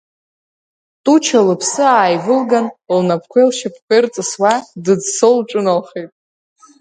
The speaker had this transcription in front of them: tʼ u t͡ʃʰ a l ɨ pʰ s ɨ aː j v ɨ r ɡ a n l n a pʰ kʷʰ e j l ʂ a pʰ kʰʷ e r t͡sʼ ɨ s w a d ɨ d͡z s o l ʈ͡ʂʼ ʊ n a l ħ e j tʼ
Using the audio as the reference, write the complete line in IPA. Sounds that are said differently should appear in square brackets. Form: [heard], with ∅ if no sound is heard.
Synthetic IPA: tʼ u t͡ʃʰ a l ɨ pʰ s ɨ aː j v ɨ [l] ɡ a n l n a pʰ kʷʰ e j l [ʃ] a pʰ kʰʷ e r t͡sʼ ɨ s w a d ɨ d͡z s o l ʈ͡ʂʼ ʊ n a l [χ] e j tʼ